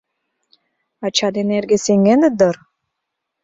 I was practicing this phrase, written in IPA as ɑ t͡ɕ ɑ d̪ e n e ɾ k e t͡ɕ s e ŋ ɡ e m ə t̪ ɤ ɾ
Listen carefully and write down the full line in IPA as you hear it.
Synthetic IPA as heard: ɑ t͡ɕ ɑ d̪ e n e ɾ ɡ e s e ŋ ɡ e n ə d̪ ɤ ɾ